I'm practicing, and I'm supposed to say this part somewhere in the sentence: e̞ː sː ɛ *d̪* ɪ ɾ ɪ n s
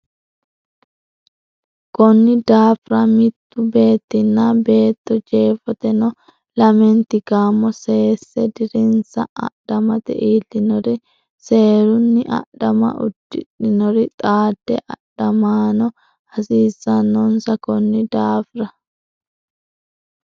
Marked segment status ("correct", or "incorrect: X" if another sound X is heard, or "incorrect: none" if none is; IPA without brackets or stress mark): correct